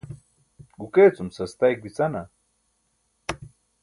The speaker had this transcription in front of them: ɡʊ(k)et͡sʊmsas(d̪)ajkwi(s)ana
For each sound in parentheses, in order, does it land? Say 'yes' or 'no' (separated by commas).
yes, no, no